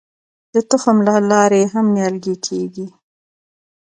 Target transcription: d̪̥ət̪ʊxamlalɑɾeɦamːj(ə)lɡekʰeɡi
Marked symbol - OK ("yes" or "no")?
no